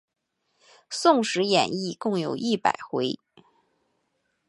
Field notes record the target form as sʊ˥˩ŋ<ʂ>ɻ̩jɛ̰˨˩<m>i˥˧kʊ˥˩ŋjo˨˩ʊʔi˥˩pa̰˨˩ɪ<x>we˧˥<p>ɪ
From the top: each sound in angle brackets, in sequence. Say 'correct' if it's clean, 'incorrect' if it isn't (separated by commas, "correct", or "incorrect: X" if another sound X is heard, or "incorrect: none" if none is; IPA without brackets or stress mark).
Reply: correct, incorrect: n, correct, incorrect: none